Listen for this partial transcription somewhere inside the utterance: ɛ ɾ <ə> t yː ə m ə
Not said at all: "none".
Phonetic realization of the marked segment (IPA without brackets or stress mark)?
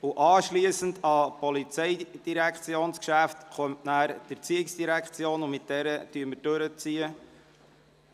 ə